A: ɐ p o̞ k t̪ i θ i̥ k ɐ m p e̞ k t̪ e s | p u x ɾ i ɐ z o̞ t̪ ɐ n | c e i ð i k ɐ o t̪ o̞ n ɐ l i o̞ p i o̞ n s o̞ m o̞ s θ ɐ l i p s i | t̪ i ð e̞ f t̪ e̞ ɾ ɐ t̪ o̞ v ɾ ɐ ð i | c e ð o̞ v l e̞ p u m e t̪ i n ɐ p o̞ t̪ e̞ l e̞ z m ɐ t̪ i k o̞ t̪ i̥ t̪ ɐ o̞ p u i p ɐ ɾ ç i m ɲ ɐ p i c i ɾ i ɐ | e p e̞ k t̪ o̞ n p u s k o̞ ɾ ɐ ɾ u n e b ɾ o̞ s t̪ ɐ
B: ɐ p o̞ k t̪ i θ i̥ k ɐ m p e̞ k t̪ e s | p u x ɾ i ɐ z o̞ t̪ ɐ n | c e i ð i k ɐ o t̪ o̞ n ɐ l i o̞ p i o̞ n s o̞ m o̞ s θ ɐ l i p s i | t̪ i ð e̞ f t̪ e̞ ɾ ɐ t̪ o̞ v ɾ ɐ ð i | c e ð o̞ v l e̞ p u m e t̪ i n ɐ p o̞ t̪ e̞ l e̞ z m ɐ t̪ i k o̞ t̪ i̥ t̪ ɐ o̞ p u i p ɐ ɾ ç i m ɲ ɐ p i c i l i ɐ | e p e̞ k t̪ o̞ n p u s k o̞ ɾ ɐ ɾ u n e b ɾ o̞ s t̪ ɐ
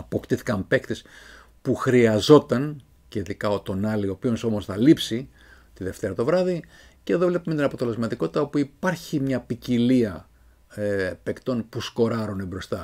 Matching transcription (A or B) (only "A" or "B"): B